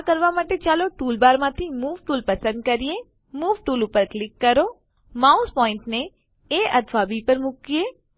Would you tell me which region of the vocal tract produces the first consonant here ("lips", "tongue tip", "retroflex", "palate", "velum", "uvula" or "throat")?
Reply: velum